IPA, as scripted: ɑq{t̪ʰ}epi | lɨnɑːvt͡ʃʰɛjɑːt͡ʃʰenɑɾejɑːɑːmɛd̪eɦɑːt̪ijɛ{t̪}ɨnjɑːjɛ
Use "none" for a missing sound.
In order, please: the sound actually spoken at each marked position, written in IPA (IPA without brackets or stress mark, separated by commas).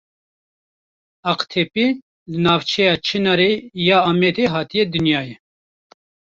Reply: t̪ʰ, d̪